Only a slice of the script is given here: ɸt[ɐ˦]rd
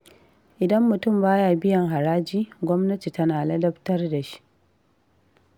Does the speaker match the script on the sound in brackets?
yes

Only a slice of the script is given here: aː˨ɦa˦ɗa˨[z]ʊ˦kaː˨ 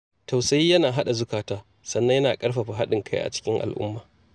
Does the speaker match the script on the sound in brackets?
yes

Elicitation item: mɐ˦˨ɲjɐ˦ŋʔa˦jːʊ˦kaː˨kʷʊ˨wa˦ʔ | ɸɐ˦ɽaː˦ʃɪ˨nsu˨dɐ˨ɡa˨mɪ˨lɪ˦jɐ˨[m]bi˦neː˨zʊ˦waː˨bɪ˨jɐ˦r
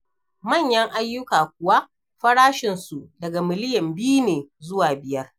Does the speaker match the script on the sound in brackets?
yes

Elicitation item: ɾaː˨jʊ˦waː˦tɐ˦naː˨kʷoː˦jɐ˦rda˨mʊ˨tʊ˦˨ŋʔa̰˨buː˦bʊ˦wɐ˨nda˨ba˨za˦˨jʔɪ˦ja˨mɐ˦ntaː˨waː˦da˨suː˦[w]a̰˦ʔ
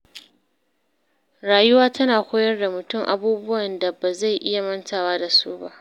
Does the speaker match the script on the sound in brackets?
no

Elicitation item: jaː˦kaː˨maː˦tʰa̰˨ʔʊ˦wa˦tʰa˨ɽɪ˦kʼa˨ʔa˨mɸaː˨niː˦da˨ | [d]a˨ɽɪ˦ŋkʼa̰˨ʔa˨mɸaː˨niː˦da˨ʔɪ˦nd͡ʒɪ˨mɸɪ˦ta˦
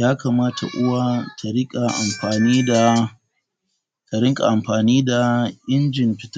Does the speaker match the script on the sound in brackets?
no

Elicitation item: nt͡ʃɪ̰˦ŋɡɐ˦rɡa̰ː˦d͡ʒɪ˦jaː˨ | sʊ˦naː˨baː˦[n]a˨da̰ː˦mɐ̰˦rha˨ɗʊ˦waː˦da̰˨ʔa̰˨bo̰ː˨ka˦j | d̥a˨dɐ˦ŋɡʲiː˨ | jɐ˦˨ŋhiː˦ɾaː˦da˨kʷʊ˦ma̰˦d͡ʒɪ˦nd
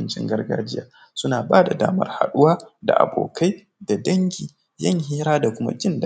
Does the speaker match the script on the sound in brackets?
no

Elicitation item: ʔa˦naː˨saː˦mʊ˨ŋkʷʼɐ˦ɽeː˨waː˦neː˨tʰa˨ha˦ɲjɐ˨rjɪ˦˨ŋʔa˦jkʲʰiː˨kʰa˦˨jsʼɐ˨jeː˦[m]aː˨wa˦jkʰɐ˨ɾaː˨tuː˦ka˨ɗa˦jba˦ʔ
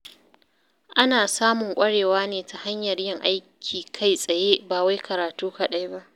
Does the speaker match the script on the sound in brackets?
no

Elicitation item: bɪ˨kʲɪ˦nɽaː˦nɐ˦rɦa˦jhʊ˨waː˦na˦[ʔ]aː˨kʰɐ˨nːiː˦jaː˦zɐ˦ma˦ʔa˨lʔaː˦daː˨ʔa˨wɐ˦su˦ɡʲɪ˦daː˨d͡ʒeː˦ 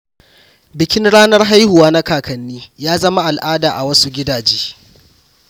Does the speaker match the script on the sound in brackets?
no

